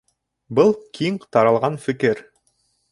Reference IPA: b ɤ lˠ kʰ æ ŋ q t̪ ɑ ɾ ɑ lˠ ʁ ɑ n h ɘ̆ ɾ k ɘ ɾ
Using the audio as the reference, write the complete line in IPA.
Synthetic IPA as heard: b ɤ lˠ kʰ i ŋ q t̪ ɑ ɾ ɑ lˠ ʁ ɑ n f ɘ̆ k ɘ ɾ